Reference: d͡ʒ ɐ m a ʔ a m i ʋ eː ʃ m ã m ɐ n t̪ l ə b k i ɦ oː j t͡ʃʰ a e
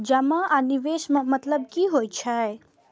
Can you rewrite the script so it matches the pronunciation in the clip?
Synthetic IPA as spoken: d͡ʒ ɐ m a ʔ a n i ʋ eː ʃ m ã m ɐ t̪ l ə b k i ɦ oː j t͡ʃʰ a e